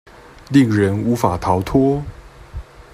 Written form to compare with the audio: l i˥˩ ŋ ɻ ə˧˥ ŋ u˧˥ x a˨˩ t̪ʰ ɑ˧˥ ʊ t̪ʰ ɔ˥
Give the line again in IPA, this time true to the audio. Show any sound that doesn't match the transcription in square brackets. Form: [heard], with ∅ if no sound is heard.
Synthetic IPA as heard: l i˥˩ ŋ ɻ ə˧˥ [n] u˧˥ [f] a˨˩ t̪ʰ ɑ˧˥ ʊ t̪ʰ ɔ˥